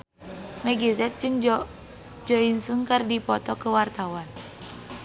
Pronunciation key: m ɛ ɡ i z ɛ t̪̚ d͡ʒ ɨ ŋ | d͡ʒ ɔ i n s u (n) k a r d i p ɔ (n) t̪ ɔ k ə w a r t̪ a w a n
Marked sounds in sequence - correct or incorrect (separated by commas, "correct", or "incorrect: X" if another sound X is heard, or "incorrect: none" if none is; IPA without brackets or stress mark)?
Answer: incorrect: ŋ, incorrect: none